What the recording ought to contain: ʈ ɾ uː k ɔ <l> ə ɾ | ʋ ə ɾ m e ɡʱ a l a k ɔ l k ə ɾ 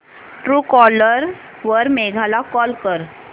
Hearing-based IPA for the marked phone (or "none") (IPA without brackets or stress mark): l